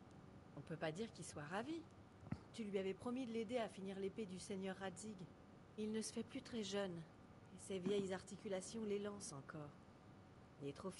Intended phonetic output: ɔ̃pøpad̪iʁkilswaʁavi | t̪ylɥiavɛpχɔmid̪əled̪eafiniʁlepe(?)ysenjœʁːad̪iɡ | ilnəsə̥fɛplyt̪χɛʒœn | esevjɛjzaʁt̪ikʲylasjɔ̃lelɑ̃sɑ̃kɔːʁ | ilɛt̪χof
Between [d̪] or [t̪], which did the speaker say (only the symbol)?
d̪